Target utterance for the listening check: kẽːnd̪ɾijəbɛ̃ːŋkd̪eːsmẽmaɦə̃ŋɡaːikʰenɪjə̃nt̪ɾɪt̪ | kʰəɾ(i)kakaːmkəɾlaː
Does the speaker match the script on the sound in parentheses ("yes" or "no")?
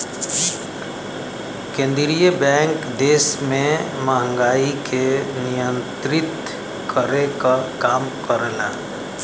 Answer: no